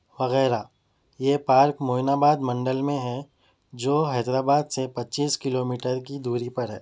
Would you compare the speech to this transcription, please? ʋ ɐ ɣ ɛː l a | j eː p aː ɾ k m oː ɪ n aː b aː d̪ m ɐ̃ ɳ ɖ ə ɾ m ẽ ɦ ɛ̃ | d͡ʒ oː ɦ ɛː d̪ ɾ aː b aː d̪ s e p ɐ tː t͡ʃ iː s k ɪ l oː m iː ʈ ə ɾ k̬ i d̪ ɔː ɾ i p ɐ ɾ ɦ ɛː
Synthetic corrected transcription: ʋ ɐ ɣ ɛː ɾ a | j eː p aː ɾ k m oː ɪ n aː b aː d̪ m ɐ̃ ɳ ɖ ə l m ẽ ɦ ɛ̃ | d͡ʒ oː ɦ ɛː d̪ ɾ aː b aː d̪ s e p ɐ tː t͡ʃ iː s k ɪ l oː m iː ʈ ə ɾ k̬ i d̪ uː ɾ i p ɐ ɾ ɦ ɛː